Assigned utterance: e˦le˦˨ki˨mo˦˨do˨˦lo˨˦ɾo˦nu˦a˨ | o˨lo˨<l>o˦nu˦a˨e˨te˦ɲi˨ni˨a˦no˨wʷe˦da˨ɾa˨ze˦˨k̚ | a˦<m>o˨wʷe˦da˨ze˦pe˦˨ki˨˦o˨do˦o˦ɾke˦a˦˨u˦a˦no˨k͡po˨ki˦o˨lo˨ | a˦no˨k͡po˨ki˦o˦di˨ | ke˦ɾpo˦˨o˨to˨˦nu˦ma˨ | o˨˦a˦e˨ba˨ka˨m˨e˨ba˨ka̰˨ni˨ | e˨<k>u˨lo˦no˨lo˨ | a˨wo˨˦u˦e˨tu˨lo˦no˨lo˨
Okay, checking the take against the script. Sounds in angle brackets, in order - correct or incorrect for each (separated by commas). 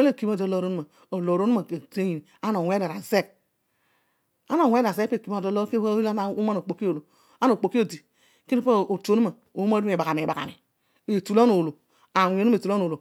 incorrect, incorrect, incorrect